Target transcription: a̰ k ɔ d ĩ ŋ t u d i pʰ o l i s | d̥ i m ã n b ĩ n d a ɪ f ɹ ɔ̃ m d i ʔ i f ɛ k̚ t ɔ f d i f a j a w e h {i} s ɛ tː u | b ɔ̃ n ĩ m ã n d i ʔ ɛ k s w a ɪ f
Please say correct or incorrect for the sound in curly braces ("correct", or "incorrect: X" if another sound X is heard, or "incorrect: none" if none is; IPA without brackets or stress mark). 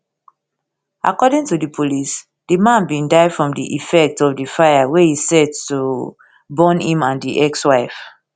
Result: correct